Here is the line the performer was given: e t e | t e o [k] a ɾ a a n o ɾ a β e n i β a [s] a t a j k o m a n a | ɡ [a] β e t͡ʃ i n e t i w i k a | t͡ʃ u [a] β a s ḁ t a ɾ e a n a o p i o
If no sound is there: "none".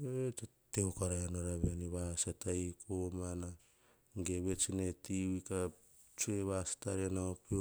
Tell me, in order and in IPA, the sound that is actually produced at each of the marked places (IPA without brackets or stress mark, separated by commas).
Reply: k, s, e, e